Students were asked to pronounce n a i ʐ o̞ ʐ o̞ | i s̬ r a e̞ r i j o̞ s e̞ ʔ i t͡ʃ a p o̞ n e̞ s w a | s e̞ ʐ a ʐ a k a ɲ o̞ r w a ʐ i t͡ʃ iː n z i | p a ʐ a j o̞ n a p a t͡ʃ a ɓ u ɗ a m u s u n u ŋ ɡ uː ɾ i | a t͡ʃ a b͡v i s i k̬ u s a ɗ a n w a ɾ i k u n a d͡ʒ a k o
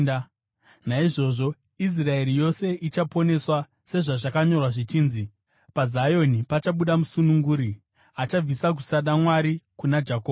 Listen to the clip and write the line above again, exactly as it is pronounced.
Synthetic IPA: n a i ʐ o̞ ʐ o̞ | i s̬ r a e̞ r i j o̞ s e̞ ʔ i t͡ʃ a p o̞ n e̞ s w a | s e̞ ʐ a ʐ a k a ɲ o̞ r w a ʐ i t͡ʃ iː n z i | p a z a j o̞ n i p a t͡ʃ a ɓ u ɗ a m u s u n u ŋ ɡ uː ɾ i | a t͡ʃ a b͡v i s a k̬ u s a ɗ a m w a ɾ i k u n a d͡ʒ a k o